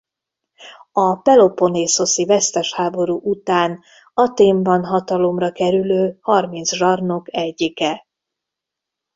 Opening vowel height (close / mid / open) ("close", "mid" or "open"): open